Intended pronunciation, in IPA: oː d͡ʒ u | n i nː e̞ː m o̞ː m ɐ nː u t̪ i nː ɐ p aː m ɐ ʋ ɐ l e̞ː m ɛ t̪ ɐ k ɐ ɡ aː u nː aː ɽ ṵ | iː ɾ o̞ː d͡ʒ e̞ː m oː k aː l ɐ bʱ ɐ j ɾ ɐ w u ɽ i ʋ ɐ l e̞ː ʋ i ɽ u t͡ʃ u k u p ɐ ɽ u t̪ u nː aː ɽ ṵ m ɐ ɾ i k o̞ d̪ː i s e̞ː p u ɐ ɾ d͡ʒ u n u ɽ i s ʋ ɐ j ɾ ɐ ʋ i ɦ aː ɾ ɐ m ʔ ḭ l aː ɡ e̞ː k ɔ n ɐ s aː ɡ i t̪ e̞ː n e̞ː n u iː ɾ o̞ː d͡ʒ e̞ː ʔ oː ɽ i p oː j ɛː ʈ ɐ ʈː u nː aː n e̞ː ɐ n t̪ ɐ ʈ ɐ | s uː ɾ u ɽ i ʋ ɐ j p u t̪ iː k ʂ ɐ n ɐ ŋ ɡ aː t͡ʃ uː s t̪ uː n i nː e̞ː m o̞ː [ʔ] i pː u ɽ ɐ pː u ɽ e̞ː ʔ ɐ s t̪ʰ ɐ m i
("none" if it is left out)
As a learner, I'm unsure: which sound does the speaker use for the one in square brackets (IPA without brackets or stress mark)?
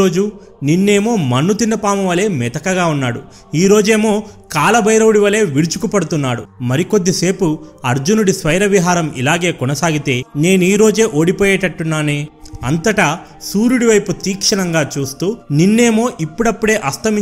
ʔ